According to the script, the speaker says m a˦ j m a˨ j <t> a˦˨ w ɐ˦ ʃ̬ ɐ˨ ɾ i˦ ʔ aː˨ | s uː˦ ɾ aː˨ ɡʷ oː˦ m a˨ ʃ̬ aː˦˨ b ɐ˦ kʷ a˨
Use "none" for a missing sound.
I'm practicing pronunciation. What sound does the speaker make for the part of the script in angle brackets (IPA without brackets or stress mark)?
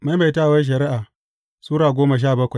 t